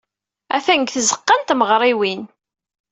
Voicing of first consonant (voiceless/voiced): voiceless